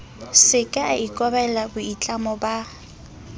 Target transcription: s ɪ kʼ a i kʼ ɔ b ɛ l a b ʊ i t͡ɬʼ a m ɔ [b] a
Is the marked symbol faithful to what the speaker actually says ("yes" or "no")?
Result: yes